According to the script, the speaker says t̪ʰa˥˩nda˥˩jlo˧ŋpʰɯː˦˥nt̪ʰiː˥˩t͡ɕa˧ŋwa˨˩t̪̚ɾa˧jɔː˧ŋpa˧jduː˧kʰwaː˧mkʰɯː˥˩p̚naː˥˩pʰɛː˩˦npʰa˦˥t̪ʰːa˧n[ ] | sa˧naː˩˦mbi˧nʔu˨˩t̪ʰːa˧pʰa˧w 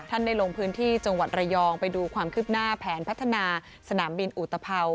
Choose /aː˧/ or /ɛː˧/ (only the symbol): aː˧